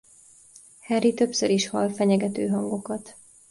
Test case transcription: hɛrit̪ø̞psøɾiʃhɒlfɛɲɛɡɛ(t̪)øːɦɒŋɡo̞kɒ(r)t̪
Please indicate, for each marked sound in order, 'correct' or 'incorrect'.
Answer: correct, incorrect: none

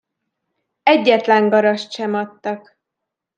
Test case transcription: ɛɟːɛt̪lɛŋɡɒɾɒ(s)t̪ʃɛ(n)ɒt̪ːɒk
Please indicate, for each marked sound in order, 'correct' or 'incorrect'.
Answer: incorrect: ʃ, incorrect: m

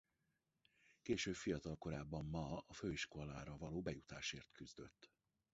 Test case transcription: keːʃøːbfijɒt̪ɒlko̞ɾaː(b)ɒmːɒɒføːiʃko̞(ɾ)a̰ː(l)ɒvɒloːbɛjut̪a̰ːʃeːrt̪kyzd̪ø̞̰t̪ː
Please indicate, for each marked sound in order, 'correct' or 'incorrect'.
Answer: incorrect: bː, incorrect: l, incorrect: ɾ

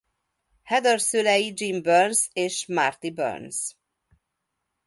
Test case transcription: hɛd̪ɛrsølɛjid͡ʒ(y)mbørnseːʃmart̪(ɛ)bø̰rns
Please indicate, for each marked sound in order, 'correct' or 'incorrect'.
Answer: incorrect: i, incorrect: i

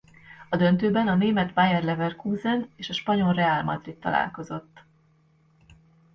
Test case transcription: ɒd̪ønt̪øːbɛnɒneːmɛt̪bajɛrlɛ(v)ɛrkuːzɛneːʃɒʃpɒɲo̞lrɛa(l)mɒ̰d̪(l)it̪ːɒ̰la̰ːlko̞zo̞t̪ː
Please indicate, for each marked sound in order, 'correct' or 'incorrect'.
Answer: correct, correct, incorrect: r

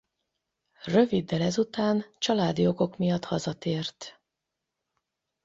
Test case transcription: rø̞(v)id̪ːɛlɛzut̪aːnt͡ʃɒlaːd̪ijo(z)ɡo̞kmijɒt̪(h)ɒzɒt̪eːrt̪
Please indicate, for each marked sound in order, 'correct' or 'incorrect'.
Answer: correct, incorrect: none, correct

